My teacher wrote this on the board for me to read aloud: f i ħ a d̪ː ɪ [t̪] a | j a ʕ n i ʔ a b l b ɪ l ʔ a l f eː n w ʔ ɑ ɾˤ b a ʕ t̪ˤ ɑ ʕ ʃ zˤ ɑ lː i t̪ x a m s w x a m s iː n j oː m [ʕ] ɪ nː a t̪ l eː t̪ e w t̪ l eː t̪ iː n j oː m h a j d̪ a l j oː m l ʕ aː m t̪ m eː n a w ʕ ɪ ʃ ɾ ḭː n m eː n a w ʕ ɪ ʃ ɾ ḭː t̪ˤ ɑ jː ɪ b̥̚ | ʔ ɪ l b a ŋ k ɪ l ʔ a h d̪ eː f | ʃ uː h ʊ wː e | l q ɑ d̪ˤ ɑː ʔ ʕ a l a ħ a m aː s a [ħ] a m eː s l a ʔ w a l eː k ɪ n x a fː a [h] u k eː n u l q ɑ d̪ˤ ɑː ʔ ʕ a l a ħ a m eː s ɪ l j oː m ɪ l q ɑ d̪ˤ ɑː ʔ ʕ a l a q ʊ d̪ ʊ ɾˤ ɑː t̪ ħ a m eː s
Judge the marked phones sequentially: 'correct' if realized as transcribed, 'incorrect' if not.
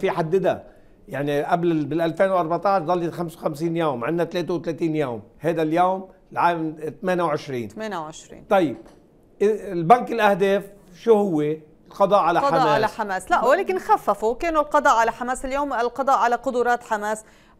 incorrect, correct, correct, incorrect

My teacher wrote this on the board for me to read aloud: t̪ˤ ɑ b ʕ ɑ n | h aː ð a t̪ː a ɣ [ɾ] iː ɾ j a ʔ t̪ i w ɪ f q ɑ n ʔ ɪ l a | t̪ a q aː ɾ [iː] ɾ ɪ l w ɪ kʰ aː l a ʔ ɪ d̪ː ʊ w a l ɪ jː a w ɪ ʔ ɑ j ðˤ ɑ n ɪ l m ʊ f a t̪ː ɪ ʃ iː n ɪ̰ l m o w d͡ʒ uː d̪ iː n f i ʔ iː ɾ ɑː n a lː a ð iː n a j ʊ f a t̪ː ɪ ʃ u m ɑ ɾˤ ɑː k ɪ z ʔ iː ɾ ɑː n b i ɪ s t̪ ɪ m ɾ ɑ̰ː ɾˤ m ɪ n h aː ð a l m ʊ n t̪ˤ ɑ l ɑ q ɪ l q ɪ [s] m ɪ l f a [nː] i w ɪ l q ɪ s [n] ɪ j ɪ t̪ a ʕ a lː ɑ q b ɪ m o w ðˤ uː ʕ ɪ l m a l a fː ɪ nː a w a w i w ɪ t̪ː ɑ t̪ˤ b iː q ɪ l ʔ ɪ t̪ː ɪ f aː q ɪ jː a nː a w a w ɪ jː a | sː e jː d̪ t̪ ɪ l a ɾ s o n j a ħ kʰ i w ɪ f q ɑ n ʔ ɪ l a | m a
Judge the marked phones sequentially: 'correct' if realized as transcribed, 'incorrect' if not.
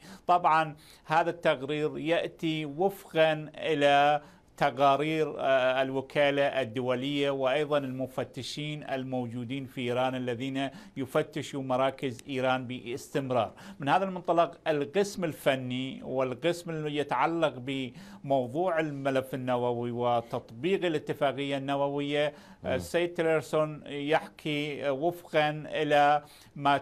correct, correct, correct, correct, incorrect

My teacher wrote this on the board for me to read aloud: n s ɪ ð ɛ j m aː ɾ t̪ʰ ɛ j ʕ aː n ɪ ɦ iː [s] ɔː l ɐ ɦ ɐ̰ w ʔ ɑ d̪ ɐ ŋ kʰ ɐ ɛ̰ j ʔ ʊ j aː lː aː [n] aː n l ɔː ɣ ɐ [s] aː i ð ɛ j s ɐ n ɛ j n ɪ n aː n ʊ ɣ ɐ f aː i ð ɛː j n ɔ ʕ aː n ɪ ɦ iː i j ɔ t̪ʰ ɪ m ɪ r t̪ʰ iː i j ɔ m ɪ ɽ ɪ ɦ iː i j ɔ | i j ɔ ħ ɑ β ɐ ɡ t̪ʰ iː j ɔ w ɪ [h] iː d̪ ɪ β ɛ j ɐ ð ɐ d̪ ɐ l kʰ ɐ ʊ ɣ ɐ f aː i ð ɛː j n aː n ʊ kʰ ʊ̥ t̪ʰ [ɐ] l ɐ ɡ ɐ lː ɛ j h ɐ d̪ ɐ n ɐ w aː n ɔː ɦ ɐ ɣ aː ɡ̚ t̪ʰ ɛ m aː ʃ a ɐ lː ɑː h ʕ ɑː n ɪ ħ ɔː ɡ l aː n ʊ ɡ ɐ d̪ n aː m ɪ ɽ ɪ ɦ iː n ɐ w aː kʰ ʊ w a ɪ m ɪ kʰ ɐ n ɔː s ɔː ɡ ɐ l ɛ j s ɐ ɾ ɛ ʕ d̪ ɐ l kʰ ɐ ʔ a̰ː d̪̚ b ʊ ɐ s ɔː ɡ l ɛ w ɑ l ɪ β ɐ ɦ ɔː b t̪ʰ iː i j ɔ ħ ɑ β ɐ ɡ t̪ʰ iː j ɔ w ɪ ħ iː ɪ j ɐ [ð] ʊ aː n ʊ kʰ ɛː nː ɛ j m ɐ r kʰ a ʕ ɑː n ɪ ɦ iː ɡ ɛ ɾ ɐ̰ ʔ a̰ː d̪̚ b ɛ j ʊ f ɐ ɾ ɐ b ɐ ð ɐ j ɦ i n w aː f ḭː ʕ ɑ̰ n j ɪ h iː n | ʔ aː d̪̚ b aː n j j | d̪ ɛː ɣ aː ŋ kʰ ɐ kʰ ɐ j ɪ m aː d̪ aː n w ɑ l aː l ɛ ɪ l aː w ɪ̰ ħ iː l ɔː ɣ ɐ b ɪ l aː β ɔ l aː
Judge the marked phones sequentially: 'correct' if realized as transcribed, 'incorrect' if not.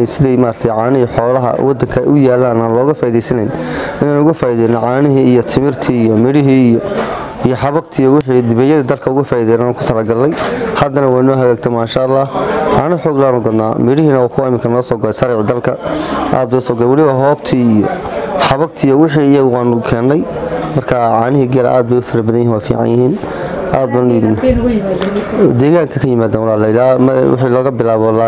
incorrect, correct, incorrect, incorrect, correct, incorrect

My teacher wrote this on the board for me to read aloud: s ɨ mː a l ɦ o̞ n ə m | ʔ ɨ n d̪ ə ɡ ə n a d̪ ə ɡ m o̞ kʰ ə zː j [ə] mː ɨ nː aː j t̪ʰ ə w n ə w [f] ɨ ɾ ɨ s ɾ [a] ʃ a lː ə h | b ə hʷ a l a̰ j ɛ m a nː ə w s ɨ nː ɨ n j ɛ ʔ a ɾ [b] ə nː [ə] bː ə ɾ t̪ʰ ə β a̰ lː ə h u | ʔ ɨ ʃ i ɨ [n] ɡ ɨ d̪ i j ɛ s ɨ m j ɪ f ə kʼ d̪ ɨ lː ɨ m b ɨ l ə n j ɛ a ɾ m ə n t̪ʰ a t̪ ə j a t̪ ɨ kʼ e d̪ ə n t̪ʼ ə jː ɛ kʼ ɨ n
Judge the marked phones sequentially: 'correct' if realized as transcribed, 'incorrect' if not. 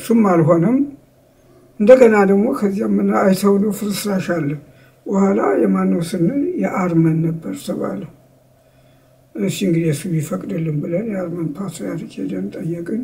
incorrect, correct, correct, incorrect, correct, incorrect

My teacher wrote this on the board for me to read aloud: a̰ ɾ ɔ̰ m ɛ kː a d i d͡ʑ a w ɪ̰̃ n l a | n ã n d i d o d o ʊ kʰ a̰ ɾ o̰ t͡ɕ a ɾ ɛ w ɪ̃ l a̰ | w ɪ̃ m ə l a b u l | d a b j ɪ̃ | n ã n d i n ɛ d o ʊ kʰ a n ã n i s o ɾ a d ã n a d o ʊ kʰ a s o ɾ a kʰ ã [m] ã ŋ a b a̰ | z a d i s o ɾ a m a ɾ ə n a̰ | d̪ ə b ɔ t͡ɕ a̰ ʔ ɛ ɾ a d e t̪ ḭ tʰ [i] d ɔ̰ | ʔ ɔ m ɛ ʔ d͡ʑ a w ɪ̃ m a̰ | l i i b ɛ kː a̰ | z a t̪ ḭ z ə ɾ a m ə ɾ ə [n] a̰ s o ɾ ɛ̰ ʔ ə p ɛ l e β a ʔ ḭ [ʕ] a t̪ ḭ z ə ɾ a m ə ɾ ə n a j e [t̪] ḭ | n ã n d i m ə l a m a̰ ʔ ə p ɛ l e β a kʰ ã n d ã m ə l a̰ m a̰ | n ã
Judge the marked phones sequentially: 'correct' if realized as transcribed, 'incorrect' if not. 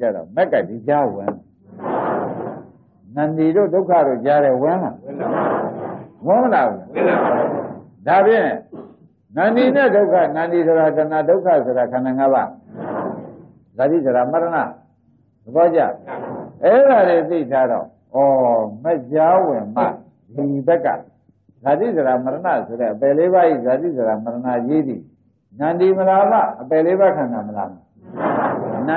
incorrect, incorrect, correct, incorrect, incorrect

